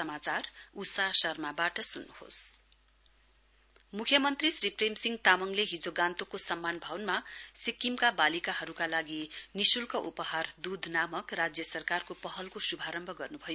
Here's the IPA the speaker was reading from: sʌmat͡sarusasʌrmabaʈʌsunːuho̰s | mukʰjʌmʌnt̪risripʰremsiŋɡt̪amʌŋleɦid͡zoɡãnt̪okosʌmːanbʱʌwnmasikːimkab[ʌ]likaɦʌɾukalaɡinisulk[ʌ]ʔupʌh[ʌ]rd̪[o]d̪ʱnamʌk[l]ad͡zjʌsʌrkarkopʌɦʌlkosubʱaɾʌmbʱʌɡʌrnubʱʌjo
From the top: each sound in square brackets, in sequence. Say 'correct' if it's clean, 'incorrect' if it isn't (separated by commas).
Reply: incorrect, correct, incorrect, incorrect, incorrect